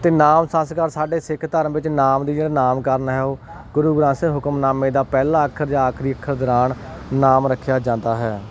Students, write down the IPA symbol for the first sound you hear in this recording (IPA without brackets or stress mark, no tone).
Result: t̪